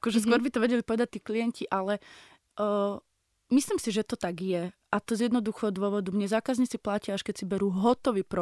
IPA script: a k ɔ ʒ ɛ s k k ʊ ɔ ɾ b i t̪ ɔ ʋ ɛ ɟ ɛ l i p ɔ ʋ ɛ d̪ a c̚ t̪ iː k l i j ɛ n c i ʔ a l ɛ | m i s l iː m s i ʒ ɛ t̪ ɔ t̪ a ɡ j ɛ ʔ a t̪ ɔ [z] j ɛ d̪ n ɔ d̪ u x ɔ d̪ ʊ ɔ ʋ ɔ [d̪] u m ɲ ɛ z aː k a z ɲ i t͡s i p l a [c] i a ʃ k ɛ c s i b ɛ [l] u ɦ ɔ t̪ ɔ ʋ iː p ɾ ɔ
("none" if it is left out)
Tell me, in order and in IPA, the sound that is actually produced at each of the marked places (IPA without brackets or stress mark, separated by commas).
z, d̪, c, ɾ